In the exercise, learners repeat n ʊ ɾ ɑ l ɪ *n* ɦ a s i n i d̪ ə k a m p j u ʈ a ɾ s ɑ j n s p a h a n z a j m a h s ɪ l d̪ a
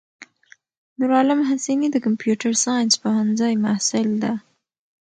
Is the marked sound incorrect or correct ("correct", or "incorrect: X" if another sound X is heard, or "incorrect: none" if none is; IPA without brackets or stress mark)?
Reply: incorrect: m